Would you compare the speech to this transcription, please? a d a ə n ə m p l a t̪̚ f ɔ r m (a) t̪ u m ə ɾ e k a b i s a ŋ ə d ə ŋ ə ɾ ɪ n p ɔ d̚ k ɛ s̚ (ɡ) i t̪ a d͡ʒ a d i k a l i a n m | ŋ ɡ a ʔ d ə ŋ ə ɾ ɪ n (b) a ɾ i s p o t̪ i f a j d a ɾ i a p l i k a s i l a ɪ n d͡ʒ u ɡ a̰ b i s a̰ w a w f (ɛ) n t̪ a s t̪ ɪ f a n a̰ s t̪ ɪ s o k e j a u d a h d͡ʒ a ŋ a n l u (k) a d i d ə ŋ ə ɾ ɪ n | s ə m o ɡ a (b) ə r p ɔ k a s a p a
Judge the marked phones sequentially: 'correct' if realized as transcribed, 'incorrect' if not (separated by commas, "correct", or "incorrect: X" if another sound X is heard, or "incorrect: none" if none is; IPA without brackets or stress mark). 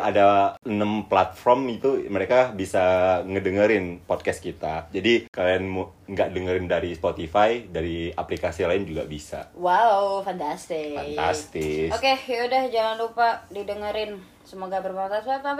incorrect: i, incorrect: k, incorrect: d, incorrect: a, incorrect: p, correct